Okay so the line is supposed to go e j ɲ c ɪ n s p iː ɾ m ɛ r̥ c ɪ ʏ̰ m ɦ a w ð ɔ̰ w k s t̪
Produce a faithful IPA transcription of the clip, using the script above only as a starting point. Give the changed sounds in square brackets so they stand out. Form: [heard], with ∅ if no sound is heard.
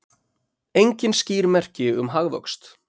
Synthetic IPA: e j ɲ c ɪ n s [c] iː ɾ m ɛ r̥ c ɪ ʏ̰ m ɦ a [ɣ] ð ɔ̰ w k s t̪